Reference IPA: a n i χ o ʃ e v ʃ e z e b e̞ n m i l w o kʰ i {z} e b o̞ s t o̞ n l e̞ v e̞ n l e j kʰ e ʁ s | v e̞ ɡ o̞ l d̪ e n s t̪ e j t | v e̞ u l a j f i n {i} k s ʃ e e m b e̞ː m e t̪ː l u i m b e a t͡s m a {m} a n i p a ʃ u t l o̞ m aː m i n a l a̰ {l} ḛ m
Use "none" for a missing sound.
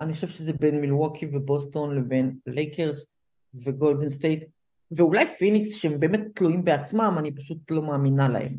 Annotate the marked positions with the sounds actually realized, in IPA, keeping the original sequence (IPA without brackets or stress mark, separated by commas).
v, i, m, none